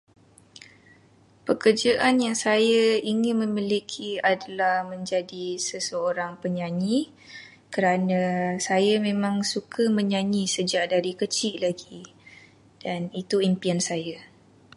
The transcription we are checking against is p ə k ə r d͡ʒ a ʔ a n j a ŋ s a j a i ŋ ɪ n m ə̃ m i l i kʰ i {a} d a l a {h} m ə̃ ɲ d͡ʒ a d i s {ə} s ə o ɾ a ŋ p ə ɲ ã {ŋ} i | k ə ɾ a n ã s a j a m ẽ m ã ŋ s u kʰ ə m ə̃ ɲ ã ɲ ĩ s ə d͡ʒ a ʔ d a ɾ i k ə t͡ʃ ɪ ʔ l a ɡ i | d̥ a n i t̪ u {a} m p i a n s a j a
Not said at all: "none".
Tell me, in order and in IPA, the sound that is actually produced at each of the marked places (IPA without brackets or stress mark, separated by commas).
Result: a, h, ə, ɲ, i